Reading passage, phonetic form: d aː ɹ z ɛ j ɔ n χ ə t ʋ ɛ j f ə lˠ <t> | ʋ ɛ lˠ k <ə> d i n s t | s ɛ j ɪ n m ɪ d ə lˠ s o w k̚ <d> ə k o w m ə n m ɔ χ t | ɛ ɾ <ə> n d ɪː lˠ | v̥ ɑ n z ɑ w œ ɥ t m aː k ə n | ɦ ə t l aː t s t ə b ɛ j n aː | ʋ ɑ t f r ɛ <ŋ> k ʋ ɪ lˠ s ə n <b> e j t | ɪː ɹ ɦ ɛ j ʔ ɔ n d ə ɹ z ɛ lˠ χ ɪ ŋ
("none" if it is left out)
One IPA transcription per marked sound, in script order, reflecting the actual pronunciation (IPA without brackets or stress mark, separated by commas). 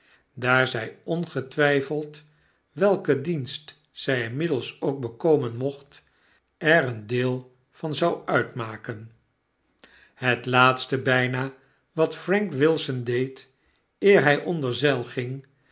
t, ə, b, ə, ŋ, d